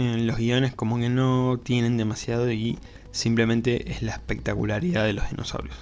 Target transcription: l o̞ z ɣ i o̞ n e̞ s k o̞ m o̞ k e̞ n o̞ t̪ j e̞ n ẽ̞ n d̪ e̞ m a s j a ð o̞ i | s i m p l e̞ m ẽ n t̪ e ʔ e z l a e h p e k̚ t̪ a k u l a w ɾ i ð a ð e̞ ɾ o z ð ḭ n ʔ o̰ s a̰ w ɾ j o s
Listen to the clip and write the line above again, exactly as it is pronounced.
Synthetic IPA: l o̞ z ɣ i o̞ n e̞ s k o̞ m o̞ k e̞ n o̞ t̪ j e̞ n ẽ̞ n d̪ e̞ m a s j a ð o̞ i | s i m p l e̞ m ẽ n t̪ e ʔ e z l a e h p e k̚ t̪ a k u l a ɾ i ð a ð e̞ l o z ð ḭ n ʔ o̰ s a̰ w ɾ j o s

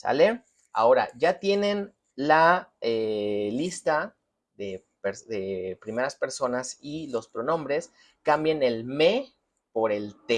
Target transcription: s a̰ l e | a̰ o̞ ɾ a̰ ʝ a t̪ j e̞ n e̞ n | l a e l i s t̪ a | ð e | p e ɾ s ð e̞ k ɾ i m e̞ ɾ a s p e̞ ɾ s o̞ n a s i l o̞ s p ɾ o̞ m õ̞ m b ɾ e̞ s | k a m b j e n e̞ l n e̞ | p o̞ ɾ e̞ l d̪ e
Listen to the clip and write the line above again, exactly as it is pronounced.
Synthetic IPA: s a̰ l e | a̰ o̞ ɾ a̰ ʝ a t̪ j e̞ n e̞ n | l a e l i s t̪ a | ð e | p e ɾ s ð e̞ p ɾ i m e̞ ɾ a s p e̞ ɾ s o̞ n a s i l o̞ s p ɾ o̞ n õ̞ m b ɾ e̞ s | k a m b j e n e̞ l m e̞ | p o̞ ɾ e̞ l t̪ e

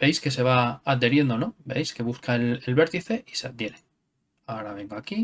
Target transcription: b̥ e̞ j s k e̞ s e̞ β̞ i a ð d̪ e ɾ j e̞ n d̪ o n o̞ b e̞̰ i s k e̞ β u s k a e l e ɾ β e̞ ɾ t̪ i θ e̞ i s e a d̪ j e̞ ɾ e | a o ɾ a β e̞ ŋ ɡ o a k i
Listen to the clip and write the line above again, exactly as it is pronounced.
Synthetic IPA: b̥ e̞ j s k e̞ s e̞ β̞ a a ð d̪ e ɾ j e̞ n d̪ o n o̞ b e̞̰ j s k e̞ β u s k a e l e l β e̞ ɾ t̪ i θ e̞ i s e a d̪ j e̞ ɾ e | a o ɾ a β e̞ ŋ ɡ o a k i

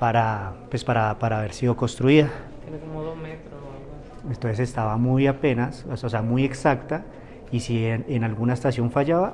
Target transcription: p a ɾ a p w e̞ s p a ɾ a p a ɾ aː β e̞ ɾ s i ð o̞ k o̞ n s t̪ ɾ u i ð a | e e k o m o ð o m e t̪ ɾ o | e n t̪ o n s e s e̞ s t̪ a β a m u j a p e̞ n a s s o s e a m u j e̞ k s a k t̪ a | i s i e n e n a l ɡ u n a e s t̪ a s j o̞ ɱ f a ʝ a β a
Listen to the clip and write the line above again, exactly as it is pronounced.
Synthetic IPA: p a ɾ a p w e̞ s p a ɾ a p a ɾ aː β e̞ ɾ s i ð o̞ k o̞ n s t̪ ɾ u i ð a | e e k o m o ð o m e t̪ ɾ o | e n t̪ o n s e s e̞ s t̪ a β a m u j a p e̞ n a s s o s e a m u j e̞ k s a k t̪ a | i s i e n e n a l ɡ u n a e s t̪ a s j o̞ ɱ f a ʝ a β a

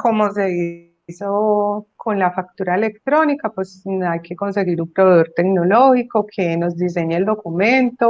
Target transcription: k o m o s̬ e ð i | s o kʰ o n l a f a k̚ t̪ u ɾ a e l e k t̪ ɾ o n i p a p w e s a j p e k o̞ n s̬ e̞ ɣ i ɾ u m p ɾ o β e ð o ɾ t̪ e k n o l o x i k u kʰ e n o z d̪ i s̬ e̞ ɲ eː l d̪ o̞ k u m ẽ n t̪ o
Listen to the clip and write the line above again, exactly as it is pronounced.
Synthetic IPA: k o m o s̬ e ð i | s o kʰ o n l a f a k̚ t̪ u ɾ a e l e k t̪ ɾ o n i k a p w e s a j k e k o̞ n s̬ e̞ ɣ i ɾ u m p ɾ o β e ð o ɾ t̪ e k n o l o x i k o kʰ e n o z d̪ i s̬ e̞ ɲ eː l d̪ o̞ k u m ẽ n t̪ o

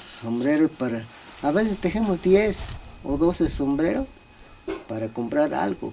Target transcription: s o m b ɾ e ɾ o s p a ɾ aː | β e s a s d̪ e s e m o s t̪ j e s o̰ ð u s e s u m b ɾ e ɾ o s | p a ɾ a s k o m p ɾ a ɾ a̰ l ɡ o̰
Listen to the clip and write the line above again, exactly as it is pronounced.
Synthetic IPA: s o m b ɾ e ɾ o s p a ɾ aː | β e s e s t̪ e x e m o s d̪ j e s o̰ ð o s e s o m b ɾ e ɾ o s | p a ɾ a k o m p ɾ a ɾ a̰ l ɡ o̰

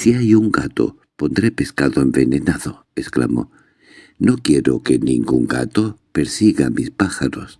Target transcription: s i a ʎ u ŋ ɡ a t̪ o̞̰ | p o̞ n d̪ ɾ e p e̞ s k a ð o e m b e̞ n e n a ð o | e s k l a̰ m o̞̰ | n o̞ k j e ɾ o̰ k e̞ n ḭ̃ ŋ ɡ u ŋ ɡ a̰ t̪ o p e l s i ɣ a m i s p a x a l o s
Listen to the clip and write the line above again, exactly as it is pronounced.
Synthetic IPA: s i a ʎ u ŋ ɡ a t̪ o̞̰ | p o̞ n d̪ ɾ e p e̞ s k a ð o e m b e̞ n e n a ð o | e s k l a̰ m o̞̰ | n o̞ k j e ɾ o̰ k e̞ n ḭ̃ ŋ ɡ u ŋ ɡ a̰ t̪ o p e ɾ s i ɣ a m i s p a x a ɾ o s

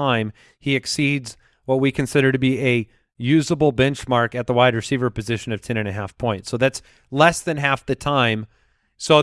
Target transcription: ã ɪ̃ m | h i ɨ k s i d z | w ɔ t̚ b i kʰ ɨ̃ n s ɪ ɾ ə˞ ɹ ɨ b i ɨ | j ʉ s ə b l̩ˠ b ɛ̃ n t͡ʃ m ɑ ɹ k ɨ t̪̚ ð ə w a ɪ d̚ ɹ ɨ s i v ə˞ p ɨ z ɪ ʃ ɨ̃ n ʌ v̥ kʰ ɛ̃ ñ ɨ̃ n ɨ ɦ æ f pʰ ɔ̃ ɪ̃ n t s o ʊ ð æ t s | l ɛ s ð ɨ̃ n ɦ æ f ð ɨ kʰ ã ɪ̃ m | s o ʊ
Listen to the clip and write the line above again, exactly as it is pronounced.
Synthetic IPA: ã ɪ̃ m | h i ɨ k s i d z | w ʌ t̚ w i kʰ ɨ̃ n s ɪ ɾ ə˞ ɾ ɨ b i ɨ | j ʉ z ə b l̩ˠ b ɛ̃ n t͡ʃ m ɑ ɹ k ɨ t̪̚ ð ə w a ɪ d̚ ɹ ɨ s i v ə˞ p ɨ z ɪ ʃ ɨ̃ n ʌ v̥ tʰ ɛ̃ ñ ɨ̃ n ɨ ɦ æ f pʰ ɔ̃ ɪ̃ n t s o ʊ ð æ t s | l ɛ s ð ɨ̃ n ɦ æ f ð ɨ tʰ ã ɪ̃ m | s o ʊ

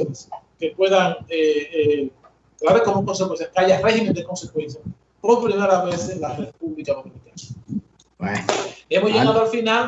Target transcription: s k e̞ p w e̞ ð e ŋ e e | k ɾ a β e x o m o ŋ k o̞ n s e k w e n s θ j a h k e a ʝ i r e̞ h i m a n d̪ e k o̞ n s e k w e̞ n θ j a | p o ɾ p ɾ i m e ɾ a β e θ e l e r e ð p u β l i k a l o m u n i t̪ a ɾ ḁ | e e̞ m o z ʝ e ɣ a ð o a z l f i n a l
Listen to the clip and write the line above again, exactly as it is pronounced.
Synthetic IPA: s k e̞ p w e̞ ð a ŋ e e | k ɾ a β e k o m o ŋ k o̞ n s e k w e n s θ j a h k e a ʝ a r e̞ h i m e n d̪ e k o̞ n s e k w e̞ n θ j a | p o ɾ p ɾ i m e ɾ a β e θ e l a r e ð p u β l i k a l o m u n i t̪ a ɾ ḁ | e e̞ m o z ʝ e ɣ a ð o a l f i n a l

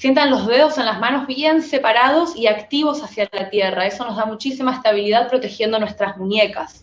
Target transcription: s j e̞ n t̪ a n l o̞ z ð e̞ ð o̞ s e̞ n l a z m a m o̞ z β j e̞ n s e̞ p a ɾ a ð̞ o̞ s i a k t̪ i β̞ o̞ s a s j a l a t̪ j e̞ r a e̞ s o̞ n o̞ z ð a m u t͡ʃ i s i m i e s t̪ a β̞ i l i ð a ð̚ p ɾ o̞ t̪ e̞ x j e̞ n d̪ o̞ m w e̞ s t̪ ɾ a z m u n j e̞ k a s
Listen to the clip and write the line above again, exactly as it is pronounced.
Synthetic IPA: s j e̞ n t̪ a n l o̞ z ð e̞ ð o̞ s e̞ n l a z m a n o̞ z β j e̞ n s e̞ p a ɾ a ð̞ o̞ s i a k t̪ i β̞ o̞ s a s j a l a t̪ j e̞ r a e̞ s o̞ n o̞ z ð a m u t͡ʃ i s i m a e s t̪ a β̞ i l i ð a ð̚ p ɾ o̞ t̪ e̞ x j e̞ n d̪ o̞ n w e̞ s t̪ ɾ a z m u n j e̞ k a s

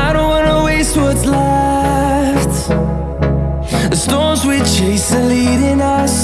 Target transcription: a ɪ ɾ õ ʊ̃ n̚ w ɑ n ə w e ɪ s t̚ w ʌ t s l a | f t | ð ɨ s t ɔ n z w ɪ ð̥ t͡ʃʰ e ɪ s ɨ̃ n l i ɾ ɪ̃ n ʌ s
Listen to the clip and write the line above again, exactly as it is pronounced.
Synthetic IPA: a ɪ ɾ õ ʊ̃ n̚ w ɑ n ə w e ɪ s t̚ w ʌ t s l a | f t | ð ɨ s t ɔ n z w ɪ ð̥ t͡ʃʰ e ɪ s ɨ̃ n l i ɾ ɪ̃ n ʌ s

